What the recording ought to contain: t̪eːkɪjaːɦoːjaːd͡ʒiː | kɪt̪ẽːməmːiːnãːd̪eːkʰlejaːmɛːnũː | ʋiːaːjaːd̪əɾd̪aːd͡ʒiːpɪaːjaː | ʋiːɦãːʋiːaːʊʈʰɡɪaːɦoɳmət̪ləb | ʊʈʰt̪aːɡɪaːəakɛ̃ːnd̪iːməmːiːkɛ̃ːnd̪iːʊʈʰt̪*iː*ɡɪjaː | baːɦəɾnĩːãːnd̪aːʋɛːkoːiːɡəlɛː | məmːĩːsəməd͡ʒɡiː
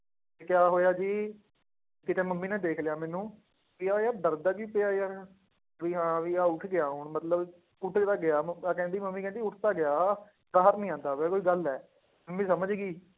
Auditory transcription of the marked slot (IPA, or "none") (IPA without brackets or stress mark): aː